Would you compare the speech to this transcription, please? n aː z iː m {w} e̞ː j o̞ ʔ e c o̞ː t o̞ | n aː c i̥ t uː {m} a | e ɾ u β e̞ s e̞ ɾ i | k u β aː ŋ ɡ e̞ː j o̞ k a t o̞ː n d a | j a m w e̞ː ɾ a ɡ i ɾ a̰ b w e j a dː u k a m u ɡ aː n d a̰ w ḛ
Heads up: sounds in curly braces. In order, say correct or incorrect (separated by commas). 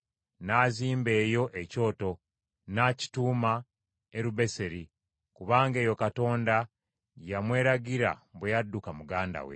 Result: incorrect, correct